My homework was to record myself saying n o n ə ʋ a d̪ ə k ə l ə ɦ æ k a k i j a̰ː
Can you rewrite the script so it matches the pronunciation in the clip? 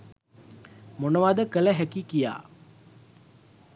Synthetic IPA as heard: m o n ə ʋ a d̪ ə k ə l ə ɦ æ k i k i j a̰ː

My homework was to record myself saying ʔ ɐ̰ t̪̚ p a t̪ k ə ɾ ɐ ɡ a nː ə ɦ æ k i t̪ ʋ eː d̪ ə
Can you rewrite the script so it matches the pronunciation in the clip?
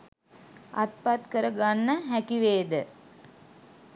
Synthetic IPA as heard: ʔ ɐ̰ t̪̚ p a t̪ k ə ɾ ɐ ɡ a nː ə ɦ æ k i ʋ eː d̪ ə

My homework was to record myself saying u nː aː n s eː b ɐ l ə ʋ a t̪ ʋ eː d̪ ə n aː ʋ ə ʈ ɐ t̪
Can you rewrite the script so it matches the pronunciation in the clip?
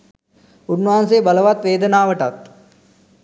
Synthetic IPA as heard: u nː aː n s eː b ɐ l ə ʋ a t̪ ʋ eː d̪ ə n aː ʋ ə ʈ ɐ t̪

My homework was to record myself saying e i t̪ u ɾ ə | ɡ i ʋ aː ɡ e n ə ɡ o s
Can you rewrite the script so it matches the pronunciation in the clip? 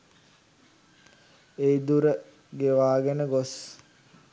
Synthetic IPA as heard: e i d̪ u ɾ ə | ɡ e ʋ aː ɡ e n ə ɡ o s

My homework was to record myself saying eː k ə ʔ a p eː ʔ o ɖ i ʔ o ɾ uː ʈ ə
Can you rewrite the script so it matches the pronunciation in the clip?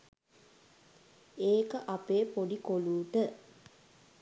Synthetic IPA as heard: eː k ə ʔ a p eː p o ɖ i k o l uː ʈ ə

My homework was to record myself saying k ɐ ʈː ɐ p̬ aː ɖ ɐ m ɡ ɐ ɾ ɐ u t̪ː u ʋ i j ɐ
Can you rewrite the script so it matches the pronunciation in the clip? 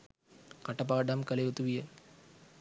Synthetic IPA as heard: k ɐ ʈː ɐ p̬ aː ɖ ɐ m k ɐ l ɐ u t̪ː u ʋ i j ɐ

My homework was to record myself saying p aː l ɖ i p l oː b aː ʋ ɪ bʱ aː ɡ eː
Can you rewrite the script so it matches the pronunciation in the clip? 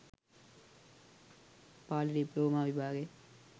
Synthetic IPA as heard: p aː l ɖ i p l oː m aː ʋ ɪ bʱ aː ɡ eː

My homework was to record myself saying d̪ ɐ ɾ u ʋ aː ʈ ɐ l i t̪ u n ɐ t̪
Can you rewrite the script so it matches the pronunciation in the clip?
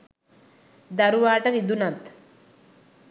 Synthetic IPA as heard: d̪ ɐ ɾ u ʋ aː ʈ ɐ ɾ i d̪ u n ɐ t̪

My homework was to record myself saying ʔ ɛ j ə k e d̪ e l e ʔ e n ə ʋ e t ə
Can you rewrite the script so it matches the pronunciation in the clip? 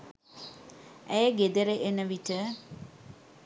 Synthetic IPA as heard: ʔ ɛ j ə ɡ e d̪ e ɾ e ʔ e n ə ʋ i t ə

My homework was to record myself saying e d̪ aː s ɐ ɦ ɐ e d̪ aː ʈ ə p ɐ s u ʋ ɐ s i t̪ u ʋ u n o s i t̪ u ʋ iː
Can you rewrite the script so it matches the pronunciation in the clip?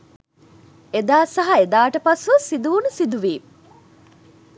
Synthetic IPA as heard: e d̪ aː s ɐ ɦ ɐ e d̪ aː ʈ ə p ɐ s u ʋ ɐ s i d̪ u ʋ u n u s i d̪ u ʋ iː

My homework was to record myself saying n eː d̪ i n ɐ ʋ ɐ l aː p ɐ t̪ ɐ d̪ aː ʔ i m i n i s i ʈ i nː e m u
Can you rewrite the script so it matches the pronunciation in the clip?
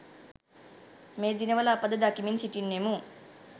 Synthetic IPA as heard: m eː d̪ i n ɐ ʋ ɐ l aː p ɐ d̪ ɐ d̪ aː k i m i n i s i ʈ i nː e m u

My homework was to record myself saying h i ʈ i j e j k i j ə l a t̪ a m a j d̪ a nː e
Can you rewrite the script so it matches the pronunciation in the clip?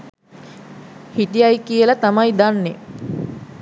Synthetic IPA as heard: h i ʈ i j a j k i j ə l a t̪ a m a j d̪ a nː e

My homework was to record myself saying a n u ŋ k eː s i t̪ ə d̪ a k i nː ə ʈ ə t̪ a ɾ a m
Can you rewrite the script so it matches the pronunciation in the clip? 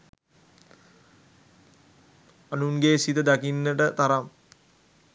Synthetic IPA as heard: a n u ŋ ɡ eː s i t̪ ə d̪ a k i nː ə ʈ ə t̪ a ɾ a m

